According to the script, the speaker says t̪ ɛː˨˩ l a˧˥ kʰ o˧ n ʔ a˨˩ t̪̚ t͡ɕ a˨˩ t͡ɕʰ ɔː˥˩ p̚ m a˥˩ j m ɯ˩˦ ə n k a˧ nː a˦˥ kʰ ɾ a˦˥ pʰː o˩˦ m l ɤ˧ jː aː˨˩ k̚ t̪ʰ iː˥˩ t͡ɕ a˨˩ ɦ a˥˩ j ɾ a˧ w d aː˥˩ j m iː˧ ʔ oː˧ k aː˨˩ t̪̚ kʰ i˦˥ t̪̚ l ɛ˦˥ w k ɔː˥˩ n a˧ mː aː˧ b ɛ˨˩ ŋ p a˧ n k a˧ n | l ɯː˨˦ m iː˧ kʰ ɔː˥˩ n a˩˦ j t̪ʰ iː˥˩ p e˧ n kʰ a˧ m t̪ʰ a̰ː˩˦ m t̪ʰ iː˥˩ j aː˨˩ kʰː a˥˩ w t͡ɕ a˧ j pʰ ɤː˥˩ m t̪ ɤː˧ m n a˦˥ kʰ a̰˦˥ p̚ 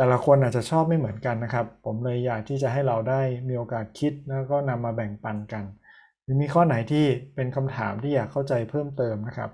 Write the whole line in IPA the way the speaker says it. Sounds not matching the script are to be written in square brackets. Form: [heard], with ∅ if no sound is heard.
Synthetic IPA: t̪ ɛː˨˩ l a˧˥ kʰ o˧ n ʔ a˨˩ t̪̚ t͡ɕ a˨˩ t͡ɕʰ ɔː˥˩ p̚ m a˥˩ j m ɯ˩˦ ə n k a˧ nː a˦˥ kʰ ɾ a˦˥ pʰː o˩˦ m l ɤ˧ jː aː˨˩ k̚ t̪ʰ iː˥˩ t͡ɕ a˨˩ ɦ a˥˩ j ɾ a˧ w d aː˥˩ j m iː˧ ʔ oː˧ k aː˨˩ t̪̚ kʰ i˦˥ t̪̚ l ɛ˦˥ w k ɔː˥˩ n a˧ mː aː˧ b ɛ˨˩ ŋ p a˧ n k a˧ n | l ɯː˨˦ m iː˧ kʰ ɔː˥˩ n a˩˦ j t̪ʰ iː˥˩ p e˧ n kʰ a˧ m t̪ʰ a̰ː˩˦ m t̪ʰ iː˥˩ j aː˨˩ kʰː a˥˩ w t͡ɕ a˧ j pʰ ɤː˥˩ m t̪ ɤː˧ m n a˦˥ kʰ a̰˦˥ p̚